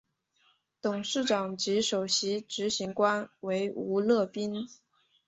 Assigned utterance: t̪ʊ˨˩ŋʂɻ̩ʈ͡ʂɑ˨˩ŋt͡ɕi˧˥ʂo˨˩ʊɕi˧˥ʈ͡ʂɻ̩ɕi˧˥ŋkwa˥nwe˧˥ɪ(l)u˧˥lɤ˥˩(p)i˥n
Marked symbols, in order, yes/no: no, yes

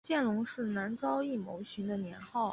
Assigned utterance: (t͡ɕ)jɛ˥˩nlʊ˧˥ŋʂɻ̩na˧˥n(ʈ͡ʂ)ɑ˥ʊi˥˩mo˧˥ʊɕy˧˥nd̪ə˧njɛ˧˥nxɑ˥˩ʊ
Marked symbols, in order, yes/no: yes, yes

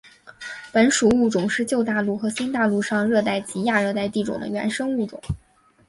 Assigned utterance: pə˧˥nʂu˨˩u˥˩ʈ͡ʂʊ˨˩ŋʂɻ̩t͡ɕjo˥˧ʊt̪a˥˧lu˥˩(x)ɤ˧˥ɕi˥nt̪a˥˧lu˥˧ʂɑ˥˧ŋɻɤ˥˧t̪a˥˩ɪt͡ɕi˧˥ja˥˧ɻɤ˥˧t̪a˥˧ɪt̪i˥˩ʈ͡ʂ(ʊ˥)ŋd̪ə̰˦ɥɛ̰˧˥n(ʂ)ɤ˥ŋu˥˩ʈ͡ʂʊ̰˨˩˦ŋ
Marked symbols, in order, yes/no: yes, no, yes

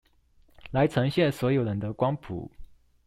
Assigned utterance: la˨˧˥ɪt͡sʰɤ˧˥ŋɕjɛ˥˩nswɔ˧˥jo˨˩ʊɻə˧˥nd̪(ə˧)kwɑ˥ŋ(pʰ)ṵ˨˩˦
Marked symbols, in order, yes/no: yes, yes

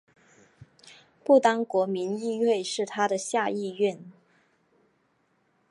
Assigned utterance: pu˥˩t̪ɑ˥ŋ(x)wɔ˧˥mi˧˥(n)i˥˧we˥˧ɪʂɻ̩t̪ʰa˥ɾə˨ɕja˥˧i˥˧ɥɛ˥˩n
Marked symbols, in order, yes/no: no, yes

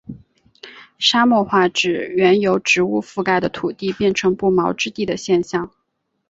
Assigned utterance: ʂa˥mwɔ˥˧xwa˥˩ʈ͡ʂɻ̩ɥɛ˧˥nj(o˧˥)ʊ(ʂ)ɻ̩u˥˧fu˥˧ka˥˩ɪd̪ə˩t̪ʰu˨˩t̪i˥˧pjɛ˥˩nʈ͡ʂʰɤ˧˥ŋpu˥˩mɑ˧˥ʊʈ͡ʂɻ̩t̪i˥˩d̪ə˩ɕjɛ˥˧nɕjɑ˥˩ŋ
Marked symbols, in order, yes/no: yes, no

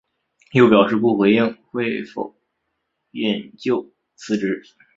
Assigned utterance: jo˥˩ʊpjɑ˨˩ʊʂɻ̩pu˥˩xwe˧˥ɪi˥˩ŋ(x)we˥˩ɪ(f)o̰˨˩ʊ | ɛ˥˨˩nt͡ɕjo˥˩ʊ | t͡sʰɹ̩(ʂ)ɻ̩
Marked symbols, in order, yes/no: yes, yes, no

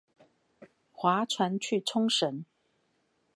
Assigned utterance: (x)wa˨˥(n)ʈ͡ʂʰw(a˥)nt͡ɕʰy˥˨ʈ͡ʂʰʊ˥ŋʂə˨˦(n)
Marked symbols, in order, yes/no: yes, no, no, yes

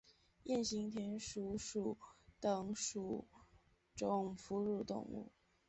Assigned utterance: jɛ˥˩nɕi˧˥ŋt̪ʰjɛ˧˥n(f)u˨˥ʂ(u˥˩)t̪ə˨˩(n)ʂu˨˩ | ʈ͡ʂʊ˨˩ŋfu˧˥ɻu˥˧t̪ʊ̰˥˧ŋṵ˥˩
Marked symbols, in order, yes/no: no, no, no

